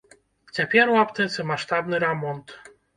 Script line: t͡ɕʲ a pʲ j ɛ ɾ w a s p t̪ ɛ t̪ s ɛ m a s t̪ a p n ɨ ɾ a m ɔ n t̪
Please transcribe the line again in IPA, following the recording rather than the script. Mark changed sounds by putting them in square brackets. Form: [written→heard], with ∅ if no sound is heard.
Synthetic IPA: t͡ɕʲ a pʲ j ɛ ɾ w a [s→∅] p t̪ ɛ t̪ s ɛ m a [s→ʂ] t̪ a [p→b] n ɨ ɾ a m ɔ n t̪